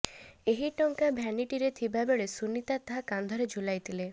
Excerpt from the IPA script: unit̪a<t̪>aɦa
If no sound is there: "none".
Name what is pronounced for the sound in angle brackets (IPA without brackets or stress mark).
t̪